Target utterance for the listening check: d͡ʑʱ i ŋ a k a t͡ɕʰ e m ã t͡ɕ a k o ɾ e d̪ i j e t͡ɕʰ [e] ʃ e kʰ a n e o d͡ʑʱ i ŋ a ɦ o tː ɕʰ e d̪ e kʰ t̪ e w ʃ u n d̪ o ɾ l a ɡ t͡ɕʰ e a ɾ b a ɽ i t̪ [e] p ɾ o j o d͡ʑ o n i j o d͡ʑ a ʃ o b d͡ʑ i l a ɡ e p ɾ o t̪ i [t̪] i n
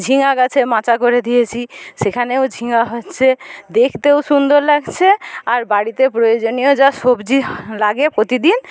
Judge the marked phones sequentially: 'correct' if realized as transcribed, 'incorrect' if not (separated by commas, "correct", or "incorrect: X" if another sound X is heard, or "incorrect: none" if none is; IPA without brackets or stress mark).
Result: incorrect: i, correct, incorrect: d̪